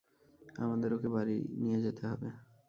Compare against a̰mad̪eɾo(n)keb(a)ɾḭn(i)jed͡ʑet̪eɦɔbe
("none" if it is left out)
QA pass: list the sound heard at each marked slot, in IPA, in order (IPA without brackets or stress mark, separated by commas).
none, a, i